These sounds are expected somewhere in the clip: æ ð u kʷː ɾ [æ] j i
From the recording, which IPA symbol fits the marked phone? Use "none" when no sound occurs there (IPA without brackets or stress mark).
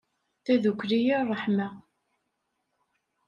i